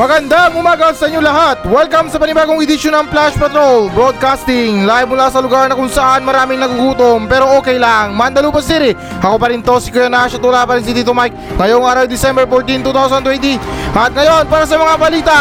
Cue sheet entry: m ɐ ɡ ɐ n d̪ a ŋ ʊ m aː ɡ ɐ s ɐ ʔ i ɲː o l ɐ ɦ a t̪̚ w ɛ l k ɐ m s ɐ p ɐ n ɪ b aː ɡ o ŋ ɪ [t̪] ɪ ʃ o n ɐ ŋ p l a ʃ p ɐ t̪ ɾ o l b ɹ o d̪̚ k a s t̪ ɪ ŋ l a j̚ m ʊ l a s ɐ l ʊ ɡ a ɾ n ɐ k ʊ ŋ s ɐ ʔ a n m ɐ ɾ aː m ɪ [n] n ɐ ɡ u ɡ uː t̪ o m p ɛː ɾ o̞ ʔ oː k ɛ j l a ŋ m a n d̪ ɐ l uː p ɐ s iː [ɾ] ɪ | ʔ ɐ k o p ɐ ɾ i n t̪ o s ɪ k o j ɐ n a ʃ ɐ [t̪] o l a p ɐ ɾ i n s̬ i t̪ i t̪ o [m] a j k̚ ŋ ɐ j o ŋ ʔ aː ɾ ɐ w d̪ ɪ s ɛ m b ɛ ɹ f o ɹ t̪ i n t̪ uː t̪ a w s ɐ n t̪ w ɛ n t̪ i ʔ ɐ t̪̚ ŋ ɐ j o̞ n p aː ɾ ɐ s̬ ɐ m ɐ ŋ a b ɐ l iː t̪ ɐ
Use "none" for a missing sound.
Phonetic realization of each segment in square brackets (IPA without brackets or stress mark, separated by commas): d̪, ŋ, ɾ, t̪, m